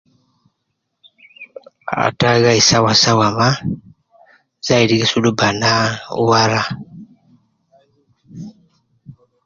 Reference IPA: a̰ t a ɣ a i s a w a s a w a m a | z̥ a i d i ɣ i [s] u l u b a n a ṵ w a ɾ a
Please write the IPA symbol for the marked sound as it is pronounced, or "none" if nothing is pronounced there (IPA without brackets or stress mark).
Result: s